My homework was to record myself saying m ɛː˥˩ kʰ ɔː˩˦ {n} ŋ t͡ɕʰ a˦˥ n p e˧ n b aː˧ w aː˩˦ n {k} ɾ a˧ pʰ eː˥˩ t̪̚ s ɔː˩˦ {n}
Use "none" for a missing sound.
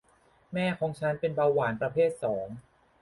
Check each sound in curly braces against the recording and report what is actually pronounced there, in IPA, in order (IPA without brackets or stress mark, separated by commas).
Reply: none, p, ŋ